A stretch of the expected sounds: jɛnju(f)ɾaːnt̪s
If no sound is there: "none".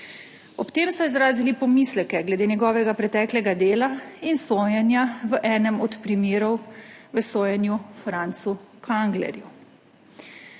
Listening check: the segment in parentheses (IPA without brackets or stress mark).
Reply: f